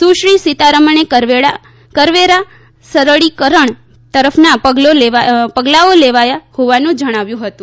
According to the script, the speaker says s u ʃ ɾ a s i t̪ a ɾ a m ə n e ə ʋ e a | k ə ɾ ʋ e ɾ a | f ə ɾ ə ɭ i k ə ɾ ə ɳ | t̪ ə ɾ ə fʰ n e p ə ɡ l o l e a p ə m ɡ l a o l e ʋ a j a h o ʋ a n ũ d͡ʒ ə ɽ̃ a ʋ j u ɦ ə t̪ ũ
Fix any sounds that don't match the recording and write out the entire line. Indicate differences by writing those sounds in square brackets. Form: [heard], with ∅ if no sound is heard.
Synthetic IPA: s u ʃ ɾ [i] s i t̪ a ɾ [ə] m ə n e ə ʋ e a | k ə ɾ ʋ e ɾ a | [s] ə ɾ ə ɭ i k ə ɾ ə ɳ | t̪ ə ɾ ə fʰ n [a] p ə ɡ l o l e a p ə [∅] ɡ l a o l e ʋ a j a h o ʋ a n ũ d͡ʒ ə ɽ̃ a ʋ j [ũ] ɦ ə t̪ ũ